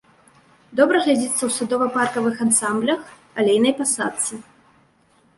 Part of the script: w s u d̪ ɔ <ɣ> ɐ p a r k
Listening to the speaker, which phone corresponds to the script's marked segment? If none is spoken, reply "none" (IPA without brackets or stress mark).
v